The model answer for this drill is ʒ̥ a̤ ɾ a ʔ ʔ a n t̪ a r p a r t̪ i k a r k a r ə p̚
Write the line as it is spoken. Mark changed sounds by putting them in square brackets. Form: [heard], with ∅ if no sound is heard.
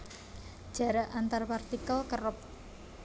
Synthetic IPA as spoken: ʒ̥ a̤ ɾ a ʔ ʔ a n t̪ a r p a r t̪ i k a [l] k [ə] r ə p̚

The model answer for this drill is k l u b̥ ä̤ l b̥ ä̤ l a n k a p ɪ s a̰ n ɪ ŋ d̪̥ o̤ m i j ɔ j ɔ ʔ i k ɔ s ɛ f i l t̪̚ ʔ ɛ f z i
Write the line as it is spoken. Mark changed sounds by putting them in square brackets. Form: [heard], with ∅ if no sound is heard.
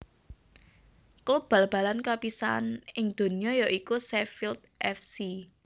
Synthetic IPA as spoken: k l u b̥ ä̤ l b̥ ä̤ l a n k a p [i] s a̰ n ɪ ŋ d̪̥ o̤ [n] i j ɔ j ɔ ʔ i k [u] s ɛ f i l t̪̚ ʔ ɛ f [s] i

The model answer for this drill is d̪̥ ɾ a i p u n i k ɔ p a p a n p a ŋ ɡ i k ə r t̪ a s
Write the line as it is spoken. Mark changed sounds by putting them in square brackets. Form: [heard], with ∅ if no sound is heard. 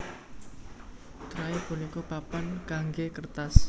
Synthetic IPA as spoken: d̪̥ ɾ a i p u n i k ɔ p a p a n [k] a ŋ ɡ [e] k ə r t̪ a s

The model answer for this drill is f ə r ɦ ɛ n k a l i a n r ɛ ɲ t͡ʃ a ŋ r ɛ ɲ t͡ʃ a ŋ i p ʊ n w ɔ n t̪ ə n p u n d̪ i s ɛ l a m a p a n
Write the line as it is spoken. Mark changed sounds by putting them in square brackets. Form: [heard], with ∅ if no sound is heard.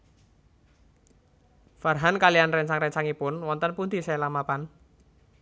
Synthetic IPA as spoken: f [a] r ɦ [a] n k a l i a n r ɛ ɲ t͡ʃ a ŋ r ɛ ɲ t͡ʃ a ŋ i p ʊ n w ɔ n t̪ ə n p u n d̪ i s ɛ l a m a p a n

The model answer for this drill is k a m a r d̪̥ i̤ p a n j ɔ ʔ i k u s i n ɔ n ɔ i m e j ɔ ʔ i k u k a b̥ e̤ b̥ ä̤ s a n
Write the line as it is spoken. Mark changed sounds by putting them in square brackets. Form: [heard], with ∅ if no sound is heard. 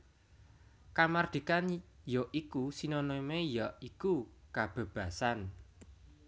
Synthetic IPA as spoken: k a m a r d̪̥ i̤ [k] a n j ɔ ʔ i k u s i n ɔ n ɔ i m e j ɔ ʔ i k u k a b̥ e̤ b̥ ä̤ s a n

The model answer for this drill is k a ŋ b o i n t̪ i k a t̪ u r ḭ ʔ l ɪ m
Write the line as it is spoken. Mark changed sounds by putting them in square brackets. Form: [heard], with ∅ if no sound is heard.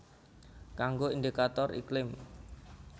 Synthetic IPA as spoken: k a ŋ [ɡ] o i n [d̪] i k a t̪ [ɔ] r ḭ [k] l ɪ m

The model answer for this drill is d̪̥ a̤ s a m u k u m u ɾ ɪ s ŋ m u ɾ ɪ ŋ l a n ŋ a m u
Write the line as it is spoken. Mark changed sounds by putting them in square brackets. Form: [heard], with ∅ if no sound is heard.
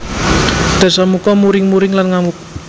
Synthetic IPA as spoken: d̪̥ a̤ s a m u k [ɔ] m u ɾ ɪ [∅] ŋ m u ɾ ɪ ŋ l a n ŋ a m u

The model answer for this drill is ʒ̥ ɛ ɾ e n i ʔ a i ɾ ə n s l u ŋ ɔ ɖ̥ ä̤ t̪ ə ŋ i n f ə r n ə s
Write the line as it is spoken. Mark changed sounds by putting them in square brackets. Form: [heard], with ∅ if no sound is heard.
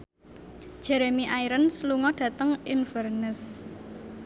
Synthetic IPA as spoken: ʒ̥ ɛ ɾ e [m] i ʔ a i ɾ ə n s l u ŋ ɔ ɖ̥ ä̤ t̪ ə ŋ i n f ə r n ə s

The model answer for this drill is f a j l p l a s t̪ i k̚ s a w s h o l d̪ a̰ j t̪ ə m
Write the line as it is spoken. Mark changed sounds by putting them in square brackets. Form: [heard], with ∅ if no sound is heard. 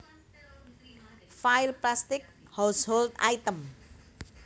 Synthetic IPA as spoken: f a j l p l a s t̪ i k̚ [h] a w s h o l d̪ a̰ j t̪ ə m

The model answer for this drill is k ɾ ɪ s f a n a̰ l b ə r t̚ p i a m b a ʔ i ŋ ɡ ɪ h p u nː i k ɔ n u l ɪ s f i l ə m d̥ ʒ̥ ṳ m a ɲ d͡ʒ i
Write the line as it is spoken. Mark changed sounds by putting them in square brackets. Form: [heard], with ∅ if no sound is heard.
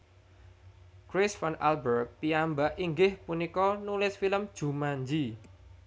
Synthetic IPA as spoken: k ɾ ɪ s f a n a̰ l b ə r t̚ p i a m b a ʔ i ŋ ɡ ɪ h p u [n] i k ɔ n u l ɪ s f i l ə m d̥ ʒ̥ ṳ m a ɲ d͡ʒ i

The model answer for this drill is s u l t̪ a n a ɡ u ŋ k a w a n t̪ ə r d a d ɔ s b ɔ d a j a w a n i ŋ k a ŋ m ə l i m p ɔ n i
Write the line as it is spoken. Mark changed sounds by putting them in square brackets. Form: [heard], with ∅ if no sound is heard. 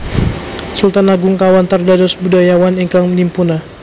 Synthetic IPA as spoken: s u l t̪ a n a ɡ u ŋ k a w a n t̪ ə r d a d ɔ s b [u] d a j a w a n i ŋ k a ŋ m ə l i m p [u] n [a]

